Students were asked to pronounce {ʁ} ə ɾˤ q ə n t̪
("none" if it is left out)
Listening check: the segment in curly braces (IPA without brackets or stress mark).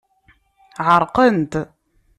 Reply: ʕ